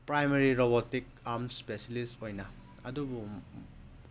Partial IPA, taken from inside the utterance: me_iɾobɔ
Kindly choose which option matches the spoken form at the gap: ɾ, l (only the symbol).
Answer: ɾ